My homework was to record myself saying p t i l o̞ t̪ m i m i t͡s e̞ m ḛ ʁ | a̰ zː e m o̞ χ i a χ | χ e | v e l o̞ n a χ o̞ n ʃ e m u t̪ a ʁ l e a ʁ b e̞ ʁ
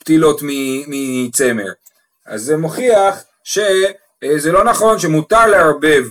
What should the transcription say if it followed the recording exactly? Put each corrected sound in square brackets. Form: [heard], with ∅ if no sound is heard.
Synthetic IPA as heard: p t i l o̞ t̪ m i m i t͡s e̞ m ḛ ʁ | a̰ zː e m o̞ χ i a χ | [ʃ] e | [z] e l o̞ n a χ o̞ n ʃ e m u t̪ a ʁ l e a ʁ b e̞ [v]